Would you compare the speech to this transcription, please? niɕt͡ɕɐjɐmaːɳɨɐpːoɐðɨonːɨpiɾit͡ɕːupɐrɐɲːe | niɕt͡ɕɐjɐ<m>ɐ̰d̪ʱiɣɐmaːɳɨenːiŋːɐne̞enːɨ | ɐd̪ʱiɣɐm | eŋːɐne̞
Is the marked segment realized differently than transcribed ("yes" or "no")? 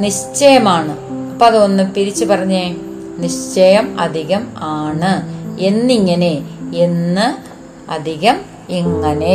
no